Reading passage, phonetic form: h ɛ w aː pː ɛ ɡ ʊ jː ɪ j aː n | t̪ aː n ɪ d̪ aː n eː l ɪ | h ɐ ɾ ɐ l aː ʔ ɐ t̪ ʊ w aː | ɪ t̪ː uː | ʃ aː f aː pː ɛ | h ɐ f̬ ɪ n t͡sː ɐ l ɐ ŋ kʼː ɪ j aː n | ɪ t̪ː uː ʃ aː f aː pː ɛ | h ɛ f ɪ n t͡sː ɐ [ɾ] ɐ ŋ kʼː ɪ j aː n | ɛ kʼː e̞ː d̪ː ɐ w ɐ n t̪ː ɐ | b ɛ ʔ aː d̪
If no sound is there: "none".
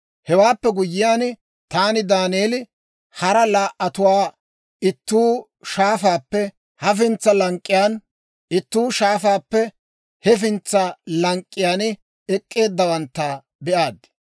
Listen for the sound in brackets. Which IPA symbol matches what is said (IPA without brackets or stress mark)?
l